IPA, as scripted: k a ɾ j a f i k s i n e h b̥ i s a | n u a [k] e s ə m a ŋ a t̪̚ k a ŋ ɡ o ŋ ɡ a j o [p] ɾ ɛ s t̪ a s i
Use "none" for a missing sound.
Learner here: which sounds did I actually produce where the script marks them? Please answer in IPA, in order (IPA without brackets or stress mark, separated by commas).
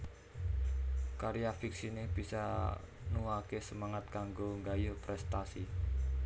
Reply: k, p